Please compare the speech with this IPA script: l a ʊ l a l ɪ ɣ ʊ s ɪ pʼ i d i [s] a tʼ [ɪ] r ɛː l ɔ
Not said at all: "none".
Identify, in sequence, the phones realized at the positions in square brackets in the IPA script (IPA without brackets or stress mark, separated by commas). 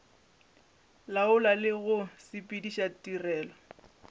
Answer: ʃ, i